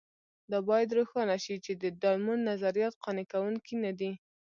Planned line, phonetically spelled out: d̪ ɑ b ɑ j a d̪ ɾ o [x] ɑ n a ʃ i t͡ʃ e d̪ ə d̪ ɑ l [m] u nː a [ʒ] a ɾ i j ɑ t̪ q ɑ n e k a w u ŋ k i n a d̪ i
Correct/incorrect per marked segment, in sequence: correct, correct, incorrect: z

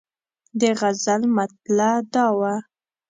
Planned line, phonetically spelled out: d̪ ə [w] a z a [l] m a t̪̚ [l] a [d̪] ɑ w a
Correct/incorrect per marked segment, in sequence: incorrect: ɣ, correct, correct, correct

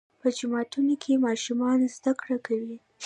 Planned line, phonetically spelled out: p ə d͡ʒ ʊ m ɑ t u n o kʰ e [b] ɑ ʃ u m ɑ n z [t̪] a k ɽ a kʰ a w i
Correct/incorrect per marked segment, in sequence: incorrect: m, incorrect: d̪

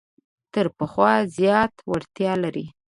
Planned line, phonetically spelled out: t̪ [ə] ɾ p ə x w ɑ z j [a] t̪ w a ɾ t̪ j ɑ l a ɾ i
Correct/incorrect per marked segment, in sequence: correct, incorrect: ɑ

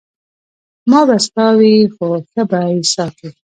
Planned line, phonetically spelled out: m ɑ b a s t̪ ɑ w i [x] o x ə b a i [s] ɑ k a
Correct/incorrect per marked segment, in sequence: correct, correct

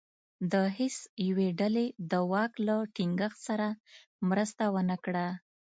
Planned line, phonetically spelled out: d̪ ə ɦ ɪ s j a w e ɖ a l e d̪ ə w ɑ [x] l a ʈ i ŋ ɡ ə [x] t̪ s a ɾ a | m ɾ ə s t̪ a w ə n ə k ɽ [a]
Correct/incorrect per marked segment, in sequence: incorrect: k, correct, correct

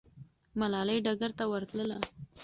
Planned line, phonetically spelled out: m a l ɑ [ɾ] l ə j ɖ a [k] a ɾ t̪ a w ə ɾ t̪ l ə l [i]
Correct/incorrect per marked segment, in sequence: incorrect: none, incorrect: ɡ, incorrect: a

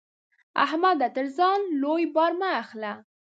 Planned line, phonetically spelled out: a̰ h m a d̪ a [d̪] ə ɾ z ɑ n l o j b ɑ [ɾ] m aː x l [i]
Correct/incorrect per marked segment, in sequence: incorrect: t̪, correct, incorrect: a

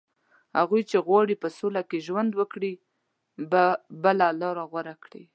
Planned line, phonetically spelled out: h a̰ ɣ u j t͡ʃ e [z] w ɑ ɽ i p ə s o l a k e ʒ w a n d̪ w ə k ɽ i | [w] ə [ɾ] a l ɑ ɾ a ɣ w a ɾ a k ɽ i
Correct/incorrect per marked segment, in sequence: incorrect: ɣ, incorrect: b, incorrect: l

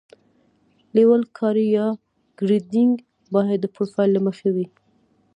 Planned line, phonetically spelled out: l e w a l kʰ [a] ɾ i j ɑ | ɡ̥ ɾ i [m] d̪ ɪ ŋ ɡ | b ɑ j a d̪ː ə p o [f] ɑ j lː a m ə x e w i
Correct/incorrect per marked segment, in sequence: incorrect: ɑ, incorrect: none, correct

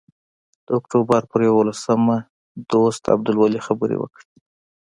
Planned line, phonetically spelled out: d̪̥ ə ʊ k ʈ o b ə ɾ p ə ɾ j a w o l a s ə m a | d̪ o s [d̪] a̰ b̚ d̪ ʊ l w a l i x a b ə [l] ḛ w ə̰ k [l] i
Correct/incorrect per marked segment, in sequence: incorrect: t̪, incorrect: ɾ, incorrect: ɽ

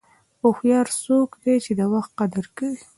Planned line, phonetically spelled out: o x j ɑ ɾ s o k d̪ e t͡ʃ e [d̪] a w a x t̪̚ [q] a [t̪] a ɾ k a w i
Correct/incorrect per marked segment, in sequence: correct, correct, incorrect: d̪

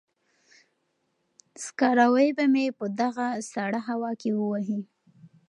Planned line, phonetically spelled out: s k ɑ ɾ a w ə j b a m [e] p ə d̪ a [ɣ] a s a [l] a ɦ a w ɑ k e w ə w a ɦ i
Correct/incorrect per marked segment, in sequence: correct, correct, incorrect: ɽ

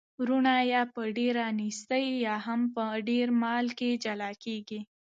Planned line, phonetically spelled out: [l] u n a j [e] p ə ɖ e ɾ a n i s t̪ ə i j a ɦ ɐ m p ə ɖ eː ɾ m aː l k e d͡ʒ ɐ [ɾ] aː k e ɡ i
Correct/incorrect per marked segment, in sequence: incorrect: ɾ, incorrect: a, incorrect: l

